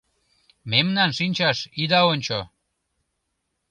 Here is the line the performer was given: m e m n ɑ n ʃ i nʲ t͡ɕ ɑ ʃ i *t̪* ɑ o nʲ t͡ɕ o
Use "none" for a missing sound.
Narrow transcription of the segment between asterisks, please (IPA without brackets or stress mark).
d̪